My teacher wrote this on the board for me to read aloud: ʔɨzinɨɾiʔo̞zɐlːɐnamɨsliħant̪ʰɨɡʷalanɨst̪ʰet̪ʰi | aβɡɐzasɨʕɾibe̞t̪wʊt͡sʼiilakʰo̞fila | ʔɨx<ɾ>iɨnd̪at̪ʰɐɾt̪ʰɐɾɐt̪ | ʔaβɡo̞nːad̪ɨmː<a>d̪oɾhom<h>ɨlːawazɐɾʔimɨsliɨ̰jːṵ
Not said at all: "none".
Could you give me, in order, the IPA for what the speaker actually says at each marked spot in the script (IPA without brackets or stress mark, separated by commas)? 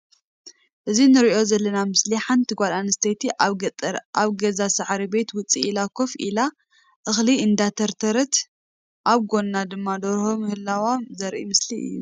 l, a, h